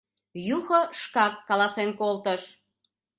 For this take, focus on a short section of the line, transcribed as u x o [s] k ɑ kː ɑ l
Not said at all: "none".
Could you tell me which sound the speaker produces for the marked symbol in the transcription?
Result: ʃ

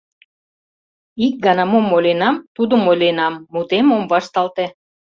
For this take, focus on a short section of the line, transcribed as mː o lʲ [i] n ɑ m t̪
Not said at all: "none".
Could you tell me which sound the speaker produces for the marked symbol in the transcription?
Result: e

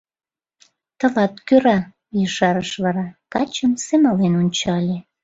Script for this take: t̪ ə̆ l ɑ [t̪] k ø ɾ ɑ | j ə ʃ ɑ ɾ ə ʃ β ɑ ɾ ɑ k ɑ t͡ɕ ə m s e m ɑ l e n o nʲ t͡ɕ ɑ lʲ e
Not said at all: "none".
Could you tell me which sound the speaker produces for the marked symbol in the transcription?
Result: t̪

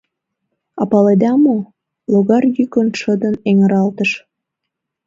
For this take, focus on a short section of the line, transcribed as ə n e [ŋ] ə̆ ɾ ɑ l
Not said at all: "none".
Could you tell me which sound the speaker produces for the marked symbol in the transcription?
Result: ŋ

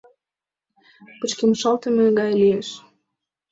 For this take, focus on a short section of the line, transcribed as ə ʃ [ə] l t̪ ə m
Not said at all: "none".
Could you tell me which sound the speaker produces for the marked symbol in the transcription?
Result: ɑ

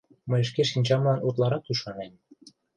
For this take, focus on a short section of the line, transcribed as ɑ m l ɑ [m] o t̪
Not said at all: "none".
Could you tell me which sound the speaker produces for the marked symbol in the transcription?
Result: n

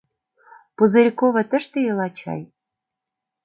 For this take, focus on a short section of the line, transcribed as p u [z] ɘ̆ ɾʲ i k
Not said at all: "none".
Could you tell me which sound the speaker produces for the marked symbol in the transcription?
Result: z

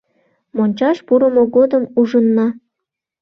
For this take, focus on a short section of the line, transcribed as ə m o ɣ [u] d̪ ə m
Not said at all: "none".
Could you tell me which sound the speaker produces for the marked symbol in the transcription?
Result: o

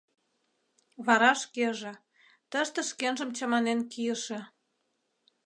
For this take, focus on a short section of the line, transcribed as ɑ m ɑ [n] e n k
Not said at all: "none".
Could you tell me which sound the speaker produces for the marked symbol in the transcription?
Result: n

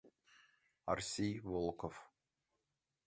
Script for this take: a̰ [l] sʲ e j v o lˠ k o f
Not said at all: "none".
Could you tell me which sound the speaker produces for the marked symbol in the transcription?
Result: r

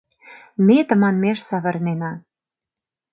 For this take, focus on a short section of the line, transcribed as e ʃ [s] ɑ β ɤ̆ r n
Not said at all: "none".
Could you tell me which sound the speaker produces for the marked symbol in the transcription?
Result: s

